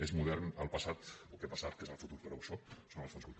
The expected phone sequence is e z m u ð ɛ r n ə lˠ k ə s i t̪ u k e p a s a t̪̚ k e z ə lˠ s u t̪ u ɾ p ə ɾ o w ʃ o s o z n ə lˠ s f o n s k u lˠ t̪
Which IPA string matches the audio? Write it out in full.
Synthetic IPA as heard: e z m u ð ɛ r n ə lˠ p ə s a t̪ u k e p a s a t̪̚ k e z ə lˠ f u t̪ u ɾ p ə ɾ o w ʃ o s o n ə lˠ s f o n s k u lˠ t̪

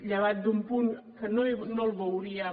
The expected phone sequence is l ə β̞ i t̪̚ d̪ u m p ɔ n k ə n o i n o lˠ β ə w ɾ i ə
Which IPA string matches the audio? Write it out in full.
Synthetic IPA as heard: ʎ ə β̞ a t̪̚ d̪ u m p u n k ə n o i n o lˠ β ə w ɾ i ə

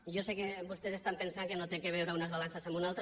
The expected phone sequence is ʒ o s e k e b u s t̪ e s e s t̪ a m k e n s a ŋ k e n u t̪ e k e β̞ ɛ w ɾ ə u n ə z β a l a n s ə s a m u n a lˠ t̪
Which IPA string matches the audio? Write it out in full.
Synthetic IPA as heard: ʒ o s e k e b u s t̪ e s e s t̪ a m p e n s a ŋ k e n o t̪ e k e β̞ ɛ w ɾ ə u n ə z β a l a n s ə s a m u n a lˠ t̪

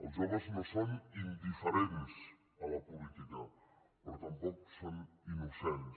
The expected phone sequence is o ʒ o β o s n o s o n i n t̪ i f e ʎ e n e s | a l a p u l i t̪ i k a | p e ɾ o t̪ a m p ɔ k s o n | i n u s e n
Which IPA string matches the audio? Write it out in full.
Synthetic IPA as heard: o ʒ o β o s n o s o n i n d̪ i f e ɾ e n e s | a l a p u l i t̪ i k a | p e ɾ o t̪ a m p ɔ k s o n | i n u s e n

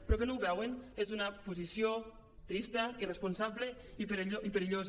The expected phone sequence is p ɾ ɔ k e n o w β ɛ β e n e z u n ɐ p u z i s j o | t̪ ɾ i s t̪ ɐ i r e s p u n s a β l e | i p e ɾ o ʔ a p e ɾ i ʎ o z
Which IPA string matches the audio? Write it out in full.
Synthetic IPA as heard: p ɾ ɔ k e n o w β ɛ w e n e z u n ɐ p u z i s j o | t̪ ɾ i s t̪ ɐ i r e s p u n s a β l e | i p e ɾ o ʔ i p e ɾ i ʎ o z

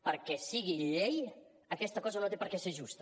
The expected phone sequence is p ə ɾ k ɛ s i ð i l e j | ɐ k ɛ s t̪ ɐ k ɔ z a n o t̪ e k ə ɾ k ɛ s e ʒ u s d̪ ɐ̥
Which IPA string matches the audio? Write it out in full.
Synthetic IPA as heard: p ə ɾ k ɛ s i ɣ i ʎ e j | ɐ k ɛ s t̪ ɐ k ɔ z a n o t̪ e p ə ɾ k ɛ s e ʒ u s t̪ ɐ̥

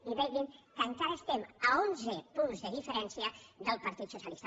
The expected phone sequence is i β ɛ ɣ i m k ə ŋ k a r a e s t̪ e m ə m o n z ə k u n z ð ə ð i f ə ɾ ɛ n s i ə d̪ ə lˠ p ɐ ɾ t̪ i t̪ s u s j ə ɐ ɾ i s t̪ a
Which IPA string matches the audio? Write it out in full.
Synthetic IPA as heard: i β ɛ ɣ i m k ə ŋ k a ɾ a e s t̪ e m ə o n z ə p u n z ð ə ð i f ə ɾ ɛ n s i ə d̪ ə lˠ p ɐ ɾ t̪ i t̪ s u s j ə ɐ l i s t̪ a

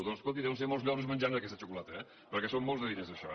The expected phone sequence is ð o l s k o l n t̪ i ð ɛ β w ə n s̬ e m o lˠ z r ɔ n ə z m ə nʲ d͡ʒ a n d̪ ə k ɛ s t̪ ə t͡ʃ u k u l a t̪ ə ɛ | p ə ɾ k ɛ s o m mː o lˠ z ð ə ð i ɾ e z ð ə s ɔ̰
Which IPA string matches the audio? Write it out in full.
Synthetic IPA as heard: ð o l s k o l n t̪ i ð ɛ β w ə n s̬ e m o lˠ z ʎ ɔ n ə z m ə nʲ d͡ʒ a n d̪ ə k ɛ s t̪ ə t͡ʃ u k u l a t̪ ə ɛ | p ə ɾ k ɛ s o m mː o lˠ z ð ə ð i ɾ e z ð ə ʃ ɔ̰

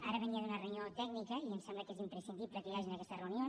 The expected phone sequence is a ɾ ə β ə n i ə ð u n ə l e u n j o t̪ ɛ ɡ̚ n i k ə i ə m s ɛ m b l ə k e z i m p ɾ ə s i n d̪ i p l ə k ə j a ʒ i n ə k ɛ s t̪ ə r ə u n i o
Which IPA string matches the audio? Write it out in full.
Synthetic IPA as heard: a ɾ ə β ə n i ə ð u n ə r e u n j o t̪ ɛ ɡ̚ n i k ə i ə m s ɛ m b l ə k e z i m p ɾ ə s i n d̪ i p l ə k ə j a ʒ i n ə k ɛ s t̪ ə r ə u n i o

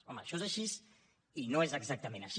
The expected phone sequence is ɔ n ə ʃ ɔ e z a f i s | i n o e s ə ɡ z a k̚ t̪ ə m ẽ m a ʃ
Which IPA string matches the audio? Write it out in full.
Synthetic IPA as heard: ɔ m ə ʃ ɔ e z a ʃ i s | i n o e z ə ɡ z a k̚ t̪ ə m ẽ n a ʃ

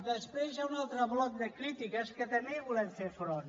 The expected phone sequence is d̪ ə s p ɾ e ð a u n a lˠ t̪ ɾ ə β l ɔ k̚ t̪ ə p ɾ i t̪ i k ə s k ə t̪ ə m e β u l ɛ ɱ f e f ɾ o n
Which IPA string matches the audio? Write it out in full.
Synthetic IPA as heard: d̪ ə s p ɾ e z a u n a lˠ t̪ ɾ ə β l ɔ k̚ d̪ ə k ɾ i t̪ i k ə s k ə t̪ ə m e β u l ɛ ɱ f e f ɾ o n

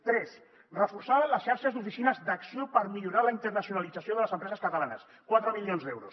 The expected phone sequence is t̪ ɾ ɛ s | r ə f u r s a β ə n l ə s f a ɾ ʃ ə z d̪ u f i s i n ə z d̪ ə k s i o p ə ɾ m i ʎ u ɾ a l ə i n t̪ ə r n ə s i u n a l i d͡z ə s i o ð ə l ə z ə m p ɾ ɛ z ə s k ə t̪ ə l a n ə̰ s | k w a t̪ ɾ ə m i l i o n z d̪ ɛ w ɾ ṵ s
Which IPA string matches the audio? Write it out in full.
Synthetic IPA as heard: t̪ ɾ ɛ s | r ə f u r s a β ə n l ə s ʃ a ɾ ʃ ə z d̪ u f i s i n ə z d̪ ə k s i o p ə ɾ m i ʎ u ɾ a l ə i n t̪ ə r n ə s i u n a l i d͡z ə s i o ð ə l ə z ə m p ɾ ɛ z ə s k ə t̪ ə l a n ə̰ s | k w a t̪ ɾ ə m i l i o n z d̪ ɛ w ɾ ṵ s

